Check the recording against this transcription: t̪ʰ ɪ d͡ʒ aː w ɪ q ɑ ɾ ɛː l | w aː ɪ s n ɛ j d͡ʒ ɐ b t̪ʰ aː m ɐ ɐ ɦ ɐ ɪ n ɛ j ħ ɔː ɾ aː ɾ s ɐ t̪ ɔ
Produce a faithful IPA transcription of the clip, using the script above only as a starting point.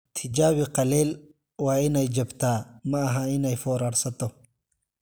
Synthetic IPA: t̪ʰ ɪ d͡ʒ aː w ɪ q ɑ l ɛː l | w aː ɪ n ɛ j d͡ʒ ɐ b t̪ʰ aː m ɐ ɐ ɦ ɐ ɪ n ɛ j f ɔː ɾ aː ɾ s ɐ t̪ ɔ